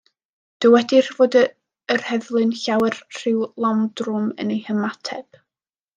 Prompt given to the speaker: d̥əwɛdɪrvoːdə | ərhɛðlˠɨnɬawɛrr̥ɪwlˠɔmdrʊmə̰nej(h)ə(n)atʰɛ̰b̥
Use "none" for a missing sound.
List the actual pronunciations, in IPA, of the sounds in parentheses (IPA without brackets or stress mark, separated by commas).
h, m